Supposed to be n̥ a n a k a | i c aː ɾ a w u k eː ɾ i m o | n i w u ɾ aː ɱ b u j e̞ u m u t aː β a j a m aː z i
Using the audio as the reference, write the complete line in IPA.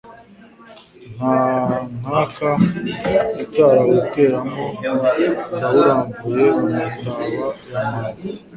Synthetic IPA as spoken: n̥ a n a k a | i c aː ɾ a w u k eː ɾ a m o | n a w u ɾ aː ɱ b u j e̞ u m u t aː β a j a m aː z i